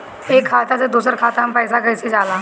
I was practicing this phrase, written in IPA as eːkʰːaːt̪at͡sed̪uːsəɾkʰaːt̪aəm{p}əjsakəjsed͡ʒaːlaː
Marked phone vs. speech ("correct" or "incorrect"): correct